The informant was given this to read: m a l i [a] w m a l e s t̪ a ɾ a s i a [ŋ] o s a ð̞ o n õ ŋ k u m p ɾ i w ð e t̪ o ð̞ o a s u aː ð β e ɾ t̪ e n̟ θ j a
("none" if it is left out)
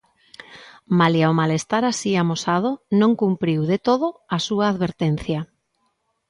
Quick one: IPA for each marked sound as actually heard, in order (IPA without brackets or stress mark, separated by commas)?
a, m